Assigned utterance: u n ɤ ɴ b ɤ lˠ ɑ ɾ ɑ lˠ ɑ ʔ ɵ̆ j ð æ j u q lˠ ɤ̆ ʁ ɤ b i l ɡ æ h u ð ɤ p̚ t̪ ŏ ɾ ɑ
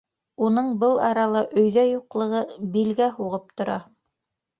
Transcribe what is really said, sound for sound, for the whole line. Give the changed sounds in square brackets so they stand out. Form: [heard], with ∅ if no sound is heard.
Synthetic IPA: u n ɤ ɴ b ɤ lˠ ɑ ɾ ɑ lˠ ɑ ʔ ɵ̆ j ð æ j u q lˠ ɤ̆ ʁ ɤ b i l ɡ æ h u [ʁ] ɤ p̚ t̪ ŏ ɾ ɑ